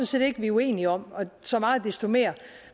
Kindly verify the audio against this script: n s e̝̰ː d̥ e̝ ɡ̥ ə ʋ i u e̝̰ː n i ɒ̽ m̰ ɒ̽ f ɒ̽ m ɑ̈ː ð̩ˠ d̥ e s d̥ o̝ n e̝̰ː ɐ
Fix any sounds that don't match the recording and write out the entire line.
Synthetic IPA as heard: n s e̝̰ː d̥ e̝ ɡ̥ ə ʋ i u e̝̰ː n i ɒ̽ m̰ ɒ̽ s ɒ̽ m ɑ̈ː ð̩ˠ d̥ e s d̥ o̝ m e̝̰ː ɐ